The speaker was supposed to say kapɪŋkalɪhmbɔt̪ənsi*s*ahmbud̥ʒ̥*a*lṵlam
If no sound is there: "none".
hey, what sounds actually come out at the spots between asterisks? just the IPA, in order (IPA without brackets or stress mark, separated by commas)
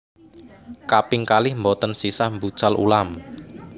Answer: s, a